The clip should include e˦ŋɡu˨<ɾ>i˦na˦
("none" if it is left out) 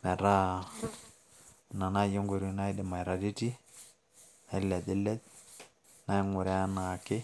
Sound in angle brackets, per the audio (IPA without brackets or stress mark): ɾ